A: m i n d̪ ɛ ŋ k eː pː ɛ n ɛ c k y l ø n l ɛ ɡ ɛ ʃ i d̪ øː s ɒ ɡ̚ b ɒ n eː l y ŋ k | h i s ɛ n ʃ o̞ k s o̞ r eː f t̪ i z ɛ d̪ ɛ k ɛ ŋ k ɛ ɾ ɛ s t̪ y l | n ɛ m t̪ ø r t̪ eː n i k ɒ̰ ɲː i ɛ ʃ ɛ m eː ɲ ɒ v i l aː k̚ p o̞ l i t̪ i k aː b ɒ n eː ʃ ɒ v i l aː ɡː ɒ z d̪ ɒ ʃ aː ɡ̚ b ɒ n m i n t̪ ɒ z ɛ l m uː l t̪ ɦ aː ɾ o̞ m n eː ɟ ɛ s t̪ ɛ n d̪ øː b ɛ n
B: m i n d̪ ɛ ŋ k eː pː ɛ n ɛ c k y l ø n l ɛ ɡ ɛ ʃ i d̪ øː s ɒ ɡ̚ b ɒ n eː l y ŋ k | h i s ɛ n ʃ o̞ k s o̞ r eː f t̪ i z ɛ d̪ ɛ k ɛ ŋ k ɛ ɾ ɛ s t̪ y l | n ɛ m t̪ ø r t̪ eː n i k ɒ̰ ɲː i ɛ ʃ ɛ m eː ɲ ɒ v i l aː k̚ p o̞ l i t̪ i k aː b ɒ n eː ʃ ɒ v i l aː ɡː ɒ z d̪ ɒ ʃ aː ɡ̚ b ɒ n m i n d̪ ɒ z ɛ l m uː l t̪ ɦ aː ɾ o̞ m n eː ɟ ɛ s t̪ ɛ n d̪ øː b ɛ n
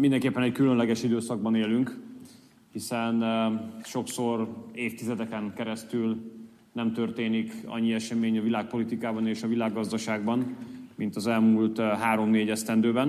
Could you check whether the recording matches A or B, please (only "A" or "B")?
A